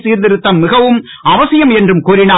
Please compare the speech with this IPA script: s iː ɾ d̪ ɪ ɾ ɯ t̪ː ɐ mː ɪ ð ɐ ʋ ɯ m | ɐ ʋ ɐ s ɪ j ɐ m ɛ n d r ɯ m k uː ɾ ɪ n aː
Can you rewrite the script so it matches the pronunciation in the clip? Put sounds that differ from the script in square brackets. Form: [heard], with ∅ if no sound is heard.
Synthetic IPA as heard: s iː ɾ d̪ ɪ ɾ ɯ t̪ː ɐ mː ɪ [ɣ] ɐ ʋ ɯ m | ɐ ʋ ɐ s ɪ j ɐ m ɛ n d r ɯ m k uː ɾ ɪ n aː